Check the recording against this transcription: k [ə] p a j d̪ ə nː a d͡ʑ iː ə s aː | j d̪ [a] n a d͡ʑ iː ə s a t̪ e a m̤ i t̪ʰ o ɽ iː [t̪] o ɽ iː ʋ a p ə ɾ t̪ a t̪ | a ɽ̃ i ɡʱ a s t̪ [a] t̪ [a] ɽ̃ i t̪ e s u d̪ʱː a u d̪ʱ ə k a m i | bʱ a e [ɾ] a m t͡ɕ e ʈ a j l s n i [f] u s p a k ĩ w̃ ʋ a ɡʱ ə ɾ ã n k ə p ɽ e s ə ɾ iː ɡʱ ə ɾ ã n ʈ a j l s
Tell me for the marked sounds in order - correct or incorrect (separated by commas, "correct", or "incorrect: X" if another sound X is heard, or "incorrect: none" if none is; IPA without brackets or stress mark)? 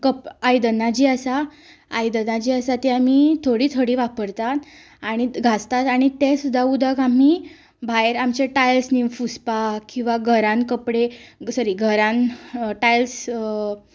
correct, incorrect: ə, incorrect: t̪ʰ, correct, correct, correct, correct